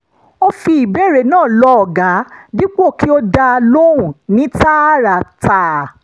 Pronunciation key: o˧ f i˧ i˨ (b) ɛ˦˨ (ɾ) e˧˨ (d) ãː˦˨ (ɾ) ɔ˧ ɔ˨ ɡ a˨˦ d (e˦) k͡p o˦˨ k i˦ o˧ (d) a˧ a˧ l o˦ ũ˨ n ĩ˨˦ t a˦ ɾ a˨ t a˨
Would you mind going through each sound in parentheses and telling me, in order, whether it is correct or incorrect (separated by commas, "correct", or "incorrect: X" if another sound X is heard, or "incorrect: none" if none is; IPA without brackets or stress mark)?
correct, correct, incorrect: n, incorrect: l, incorrect: i˦, correct